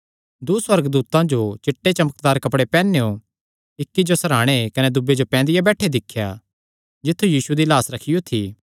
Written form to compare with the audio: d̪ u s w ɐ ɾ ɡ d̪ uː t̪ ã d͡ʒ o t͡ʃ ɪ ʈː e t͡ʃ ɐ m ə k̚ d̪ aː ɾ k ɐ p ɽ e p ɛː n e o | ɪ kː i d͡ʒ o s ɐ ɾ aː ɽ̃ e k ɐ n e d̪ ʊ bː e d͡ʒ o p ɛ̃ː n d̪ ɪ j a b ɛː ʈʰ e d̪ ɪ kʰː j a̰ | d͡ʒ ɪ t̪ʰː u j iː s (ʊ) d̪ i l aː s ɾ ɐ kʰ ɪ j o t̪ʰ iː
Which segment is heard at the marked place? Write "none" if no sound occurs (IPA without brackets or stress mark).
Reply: u